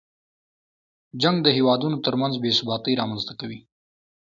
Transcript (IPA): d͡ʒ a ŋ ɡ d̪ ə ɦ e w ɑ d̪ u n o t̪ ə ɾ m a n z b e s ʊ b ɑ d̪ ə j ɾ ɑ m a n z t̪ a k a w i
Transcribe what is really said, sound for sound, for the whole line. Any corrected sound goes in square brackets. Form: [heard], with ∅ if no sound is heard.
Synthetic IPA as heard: d͡ʒ a ŋ ɡ d̪ ə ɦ e w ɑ d̪ u n o t̪ ə ɾ m a n z b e s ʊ b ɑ [t̪] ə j ɾ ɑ m a n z t̪ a k a w i